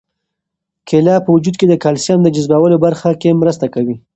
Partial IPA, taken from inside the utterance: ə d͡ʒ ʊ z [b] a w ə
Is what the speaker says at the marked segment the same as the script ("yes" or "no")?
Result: yes